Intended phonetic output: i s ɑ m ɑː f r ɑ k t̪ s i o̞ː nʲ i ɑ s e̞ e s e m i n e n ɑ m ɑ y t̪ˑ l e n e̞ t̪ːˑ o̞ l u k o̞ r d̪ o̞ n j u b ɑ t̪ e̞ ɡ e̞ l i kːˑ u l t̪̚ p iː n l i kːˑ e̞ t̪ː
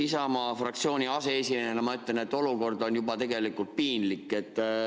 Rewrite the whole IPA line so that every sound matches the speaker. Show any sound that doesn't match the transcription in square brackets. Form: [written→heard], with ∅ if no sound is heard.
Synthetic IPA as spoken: i s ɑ m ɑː f r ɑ k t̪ s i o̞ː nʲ i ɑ s e̞ e s [e→i] m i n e n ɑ m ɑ y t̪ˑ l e n e̞ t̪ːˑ o̞ l u k o̞ r d̪ o̞ n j u b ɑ t̪ e̞ ɡ e̞ l i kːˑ u l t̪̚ p iː n l i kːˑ e̞ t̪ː